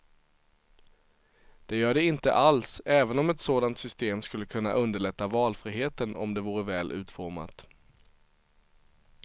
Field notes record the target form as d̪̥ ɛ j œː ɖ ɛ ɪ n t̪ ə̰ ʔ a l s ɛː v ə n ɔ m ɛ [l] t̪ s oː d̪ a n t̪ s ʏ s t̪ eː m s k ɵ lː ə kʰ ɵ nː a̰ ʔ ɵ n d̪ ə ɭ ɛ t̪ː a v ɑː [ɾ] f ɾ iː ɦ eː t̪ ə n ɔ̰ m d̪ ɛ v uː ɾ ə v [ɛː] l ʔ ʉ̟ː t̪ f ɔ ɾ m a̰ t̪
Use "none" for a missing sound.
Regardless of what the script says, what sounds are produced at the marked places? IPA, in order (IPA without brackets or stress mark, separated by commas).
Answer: none, l, ɛː